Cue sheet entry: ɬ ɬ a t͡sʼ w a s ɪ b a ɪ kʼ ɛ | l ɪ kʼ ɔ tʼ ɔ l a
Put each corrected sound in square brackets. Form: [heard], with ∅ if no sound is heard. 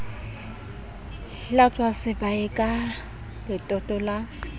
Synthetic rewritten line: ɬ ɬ a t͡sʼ w a s ɪ b a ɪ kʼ [a] | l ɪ [tʼ] ɔ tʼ ɔ l a